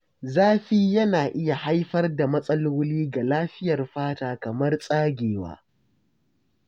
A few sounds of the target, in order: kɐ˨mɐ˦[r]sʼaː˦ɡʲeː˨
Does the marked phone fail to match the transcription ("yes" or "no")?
no